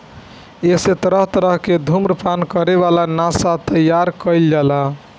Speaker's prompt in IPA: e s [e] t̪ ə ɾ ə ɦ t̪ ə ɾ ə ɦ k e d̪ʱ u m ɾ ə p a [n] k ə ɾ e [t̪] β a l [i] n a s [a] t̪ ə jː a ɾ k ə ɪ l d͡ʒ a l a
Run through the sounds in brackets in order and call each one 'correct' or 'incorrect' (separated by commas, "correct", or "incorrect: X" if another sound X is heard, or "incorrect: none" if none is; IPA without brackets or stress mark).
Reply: correct, correct, incorrect: none, incorrect: a, correct